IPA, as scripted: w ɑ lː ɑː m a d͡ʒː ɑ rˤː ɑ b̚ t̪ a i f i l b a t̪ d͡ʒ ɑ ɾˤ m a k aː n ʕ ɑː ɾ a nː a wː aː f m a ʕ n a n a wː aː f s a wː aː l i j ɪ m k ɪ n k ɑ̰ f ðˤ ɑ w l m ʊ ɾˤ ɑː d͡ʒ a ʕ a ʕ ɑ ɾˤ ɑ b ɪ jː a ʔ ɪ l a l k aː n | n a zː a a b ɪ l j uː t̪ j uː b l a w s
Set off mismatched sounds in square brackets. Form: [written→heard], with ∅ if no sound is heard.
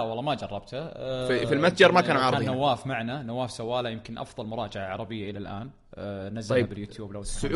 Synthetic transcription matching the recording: w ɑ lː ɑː m a [d͡ʒː→d͡ʒ] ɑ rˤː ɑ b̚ t̪ a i f i l [b→m] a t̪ d͡ʒ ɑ ɾˤ m a k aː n ʕ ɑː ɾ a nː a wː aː f m a ʕ n a n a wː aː f s a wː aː l [i→a] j ɪ m k ɪ n [k→ʔ] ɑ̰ f ðˤ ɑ [w→∅] l m ʊ ɾˤ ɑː d͡ʒ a ʕ a ʕ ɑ ɾˤ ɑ b ɪ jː a ʔ ɪ l a l [k→ʔ] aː n | n a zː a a b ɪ l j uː t̪ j uː b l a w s